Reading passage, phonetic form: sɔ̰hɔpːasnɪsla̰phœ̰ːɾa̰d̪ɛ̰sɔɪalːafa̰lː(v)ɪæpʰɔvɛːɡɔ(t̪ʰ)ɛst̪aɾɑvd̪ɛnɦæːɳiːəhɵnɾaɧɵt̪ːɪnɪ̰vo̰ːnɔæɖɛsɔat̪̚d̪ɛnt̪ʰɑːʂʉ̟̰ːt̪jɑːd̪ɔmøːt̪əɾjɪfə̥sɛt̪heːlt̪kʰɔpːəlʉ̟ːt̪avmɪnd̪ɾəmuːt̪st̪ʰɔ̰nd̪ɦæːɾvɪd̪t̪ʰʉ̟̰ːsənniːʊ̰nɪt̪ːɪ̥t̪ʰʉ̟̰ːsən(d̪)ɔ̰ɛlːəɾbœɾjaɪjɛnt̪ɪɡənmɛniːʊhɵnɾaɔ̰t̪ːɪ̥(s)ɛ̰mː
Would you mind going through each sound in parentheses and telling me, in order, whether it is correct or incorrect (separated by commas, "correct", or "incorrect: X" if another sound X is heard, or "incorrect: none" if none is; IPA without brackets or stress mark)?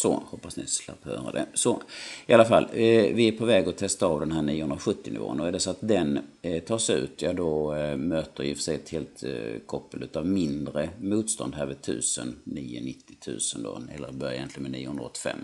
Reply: correct, correct, correct, incorrect: f